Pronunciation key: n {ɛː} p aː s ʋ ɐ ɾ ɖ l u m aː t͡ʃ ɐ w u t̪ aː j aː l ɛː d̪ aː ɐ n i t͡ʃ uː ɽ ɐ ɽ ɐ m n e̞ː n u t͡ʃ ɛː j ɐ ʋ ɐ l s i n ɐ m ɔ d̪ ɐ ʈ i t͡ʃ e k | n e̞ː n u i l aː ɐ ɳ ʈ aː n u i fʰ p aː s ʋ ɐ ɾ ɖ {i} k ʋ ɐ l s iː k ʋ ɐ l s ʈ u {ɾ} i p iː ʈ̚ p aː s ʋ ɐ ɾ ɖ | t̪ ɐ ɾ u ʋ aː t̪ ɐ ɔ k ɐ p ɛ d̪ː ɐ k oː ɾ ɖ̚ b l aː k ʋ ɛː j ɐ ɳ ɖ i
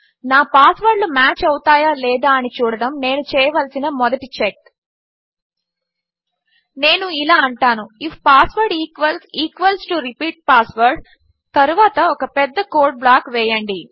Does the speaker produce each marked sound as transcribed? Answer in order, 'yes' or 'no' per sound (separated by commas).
no, no, yes